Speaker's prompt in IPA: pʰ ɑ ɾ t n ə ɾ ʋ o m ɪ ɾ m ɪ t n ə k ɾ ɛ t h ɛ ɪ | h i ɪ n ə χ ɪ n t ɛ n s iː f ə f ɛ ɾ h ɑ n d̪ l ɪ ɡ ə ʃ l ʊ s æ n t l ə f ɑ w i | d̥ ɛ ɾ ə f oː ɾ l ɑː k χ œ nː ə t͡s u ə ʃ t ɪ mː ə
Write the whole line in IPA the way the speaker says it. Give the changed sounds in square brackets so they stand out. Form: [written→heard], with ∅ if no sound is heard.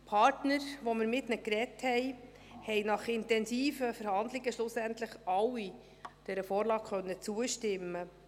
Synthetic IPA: pʰ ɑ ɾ t n ə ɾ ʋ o m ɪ ɾ m ɪ t n ə k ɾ ɛ t h ɛ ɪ | h [i→ɛ] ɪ n [ə→ɑ] χ ɪ n t ɛ n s iː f ə f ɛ ɾ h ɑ n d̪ l ɪ ɡ ə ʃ l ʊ s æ n t l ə [f→χ] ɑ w i | d̥ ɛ ɾ ə f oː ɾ l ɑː k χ œ nː ə t͡s u ə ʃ t ɪ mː ə

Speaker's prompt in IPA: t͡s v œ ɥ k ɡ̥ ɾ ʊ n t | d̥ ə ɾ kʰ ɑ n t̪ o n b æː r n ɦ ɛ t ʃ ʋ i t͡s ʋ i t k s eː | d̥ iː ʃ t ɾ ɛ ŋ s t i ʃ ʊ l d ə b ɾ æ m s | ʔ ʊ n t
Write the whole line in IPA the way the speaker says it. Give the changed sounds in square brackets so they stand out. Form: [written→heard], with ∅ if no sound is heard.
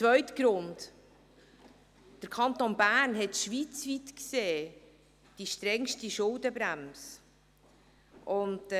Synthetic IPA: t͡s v œ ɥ [k→t] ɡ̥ ɾ ʊ n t | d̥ ə ɾ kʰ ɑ n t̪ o n b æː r n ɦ ɛ t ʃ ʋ i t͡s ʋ i t k s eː | d̥ [iː→i] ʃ t ɾ ɛ ŋ [s→ʃ] t i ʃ ʊ l d ə b ɾ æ m s | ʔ ʊ n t

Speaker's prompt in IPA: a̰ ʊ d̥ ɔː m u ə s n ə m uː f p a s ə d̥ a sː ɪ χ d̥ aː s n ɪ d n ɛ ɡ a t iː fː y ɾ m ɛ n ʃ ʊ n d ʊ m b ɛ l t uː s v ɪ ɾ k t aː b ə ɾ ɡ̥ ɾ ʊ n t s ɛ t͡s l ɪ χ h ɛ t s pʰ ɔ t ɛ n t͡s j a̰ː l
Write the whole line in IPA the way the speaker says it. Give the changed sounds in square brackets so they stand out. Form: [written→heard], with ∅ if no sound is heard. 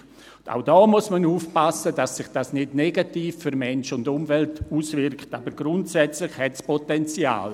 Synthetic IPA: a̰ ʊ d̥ ɔː m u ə s [n→m] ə [m→n] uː f p a s ə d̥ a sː ɪ χ d̥ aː s n ɪ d n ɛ ɡ a t iː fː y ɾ m ɛ n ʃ ʊ n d ʊ m [b→v] ɛ l t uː s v ɪ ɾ k t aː b ə ɾ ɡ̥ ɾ ʊ n t s ɛ t͡s l ɪ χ h ɛ t s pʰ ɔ t ɛ n t͡s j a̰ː l

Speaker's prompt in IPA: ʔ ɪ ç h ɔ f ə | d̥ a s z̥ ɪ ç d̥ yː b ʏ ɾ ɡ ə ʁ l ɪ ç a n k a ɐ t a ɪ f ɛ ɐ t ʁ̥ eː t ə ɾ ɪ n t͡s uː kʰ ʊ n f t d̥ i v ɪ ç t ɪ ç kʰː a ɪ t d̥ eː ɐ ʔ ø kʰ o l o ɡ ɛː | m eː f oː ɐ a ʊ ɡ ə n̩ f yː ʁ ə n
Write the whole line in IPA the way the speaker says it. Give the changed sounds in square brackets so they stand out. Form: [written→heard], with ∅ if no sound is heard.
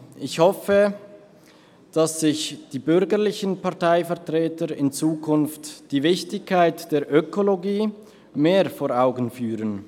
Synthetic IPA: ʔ ɪ ç h ɔ f ə | d̥ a s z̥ ɪ ç d̥ [yː→iː] b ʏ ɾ ɡ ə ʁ l ɪ ç [a→ə] n [k→p] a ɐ t a ɪ f ɛ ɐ t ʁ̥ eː t ə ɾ ɪ n t͡s uː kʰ ʊ n f t d̥ [i→iː] v ɪ ç t ɪ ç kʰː a ɪ t d̥ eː ɐ ʔ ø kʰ o l o ɡ [ɛː→iː] | m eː f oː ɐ a ʊ ɡ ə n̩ f yː ʁ ə n

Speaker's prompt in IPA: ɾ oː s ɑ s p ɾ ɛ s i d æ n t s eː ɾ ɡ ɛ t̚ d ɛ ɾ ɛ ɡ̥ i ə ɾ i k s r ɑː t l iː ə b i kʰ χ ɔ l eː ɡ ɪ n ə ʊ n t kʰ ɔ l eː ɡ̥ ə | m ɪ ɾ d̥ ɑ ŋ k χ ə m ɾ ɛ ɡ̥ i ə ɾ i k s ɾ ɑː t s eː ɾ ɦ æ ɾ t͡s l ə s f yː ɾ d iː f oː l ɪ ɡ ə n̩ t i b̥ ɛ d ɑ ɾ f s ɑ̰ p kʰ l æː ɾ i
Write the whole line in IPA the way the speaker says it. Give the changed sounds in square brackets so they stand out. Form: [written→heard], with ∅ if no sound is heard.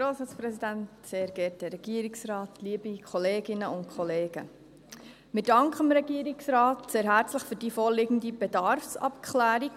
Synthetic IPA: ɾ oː s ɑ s p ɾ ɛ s i d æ n t s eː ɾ ɡ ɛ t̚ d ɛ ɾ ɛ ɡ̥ i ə ɾ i k s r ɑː t l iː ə b i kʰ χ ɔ l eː ɡ ɪ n ə ʊ n t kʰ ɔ l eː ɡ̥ ə | m ɪ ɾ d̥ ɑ ŋ k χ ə m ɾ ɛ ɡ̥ i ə ɾ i k s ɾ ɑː t s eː ɾ ɦ æ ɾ t͡s l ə [s→χ] f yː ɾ d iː f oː l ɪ ɡ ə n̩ [t→d] i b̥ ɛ d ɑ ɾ f s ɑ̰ p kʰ l æː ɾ i

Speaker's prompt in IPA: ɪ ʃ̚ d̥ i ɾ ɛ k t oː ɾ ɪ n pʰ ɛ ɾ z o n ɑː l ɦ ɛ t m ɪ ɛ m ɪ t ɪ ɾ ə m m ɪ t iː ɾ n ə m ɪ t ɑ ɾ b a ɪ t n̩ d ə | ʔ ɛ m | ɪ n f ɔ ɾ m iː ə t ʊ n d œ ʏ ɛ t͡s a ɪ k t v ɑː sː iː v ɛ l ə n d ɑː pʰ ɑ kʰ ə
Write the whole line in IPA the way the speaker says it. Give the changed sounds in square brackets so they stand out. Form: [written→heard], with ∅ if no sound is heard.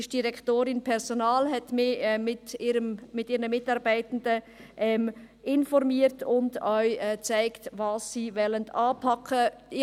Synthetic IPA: ɪ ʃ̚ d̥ i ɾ ɛ k t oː ɾ ɪ n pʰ ɛ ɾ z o n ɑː l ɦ ɛ t m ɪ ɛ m ɪ t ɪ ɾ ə m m ɪ t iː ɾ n ə m ɪ t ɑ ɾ b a ɪ t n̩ d ə | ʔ ɛ m | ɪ n f ɔ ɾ m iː ə t ʊ n d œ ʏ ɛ t͡s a ɪ k t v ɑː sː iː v ɛ l ə n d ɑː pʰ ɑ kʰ ə

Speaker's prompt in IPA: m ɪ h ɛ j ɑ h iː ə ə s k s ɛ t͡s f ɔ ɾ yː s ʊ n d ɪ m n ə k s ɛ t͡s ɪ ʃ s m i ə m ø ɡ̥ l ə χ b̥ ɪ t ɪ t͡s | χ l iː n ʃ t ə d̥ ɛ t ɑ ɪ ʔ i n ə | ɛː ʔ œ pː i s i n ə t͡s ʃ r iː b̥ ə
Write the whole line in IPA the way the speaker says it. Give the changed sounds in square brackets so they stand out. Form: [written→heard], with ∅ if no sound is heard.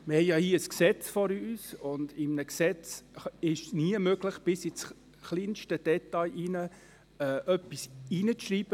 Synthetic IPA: m ɪ h ɛ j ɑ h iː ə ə s k s ɛ t͡s f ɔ ɾ yː s ʊ n d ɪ m n ə k s ɛ t͡s ɪ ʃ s [m→n] i ə m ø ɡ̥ l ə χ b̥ ɪ [t→s] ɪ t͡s | χ l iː n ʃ t ə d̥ ɛ t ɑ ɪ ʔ i n ə | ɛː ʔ œ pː i s i n ə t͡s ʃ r iː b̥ ə

